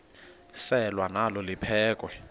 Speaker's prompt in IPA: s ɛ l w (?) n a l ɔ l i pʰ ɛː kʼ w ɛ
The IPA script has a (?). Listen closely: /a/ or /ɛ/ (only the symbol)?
a